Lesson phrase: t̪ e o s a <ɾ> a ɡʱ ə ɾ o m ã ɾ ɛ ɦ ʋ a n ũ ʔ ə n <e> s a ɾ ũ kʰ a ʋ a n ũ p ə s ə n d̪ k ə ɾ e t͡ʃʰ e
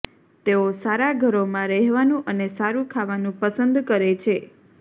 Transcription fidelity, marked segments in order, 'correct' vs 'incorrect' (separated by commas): correct, correct